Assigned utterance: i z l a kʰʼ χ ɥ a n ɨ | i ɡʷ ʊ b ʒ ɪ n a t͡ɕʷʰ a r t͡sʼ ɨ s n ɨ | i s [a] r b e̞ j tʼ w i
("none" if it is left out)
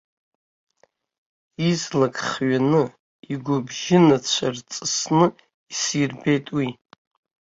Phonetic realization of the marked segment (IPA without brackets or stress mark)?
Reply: i